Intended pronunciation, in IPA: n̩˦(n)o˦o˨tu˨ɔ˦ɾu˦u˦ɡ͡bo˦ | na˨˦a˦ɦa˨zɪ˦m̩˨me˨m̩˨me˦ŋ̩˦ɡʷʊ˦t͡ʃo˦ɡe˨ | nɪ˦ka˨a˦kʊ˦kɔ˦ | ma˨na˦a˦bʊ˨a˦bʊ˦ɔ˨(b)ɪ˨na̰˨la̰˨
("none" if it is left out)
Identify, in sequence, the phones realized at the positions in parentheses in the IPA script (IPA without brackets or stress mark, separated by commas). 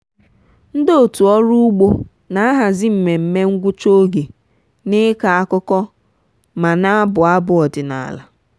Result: d, d